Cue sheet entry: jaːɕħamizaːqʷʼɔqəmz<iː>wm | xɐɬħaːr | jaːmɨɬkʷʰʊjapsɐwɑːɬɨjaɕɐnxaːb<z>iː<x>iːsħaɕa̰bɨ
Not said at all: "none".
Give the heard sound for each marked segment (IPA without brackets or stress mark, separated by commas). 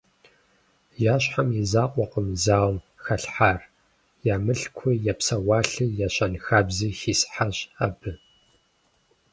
aː, z, x